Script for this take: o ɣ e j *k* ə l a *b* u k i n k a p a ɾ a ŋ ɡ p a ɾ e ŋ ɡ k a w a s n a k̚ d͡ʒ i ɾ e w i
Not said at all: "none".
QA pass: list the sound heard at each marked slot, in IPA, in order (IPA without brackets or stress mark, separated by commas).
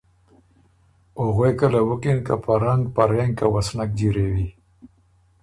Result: k, w